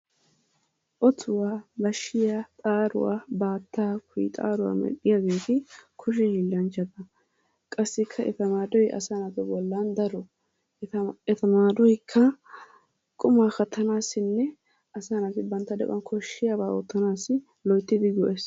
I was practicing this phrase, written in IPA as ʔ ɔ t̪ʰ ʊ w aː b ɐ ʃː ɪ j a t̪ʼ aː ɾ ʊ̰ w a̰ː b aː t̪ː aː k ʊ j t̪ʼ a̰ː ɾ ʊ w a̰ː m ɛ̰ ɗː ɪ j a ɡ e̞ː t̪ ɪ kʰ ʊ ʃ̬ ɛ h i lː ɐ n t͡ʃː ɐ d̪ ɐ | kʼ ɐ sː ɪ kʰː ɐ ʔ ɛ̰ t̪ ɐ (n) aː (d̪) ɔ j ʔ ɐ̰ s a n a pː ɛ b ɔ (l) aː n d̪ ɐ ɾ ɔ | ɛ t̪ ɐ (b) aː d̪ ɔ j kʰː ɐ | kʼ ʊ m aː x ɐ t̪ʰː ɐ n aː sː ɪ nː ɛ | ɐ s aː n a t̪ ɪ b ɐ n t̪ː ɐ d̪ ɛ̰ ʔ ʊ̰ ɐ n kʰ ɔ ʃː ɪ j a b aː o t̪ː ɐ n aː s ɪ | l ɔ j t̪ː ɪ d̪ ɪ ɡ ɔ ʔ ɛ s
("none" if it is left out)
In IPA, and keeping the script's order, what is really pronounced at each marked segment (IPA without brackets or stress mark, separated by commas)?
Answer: m, d̪, lː, m